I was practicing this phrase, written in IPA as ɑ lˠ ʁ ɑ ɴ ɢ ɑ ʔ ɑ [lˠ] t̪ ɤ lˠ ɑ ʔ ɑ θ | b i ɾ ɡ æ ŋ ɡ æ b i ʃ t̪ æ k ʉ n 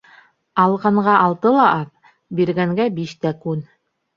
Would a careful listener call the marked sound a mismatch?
no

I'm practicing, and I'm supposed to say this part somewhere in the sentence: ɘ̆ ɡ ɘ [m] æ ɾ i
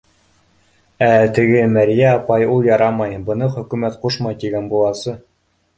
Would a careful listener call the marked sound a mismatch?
no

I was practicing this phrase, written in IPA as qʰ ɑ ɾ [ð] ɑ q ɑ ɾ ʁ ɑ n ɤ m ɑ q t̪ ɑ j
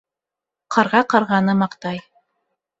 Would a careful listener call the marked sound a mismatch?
yes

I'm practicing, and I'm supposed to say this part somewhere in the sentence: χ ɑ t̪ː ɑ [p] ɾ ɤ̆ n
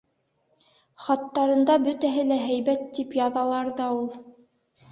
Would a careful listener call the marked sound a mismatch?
yes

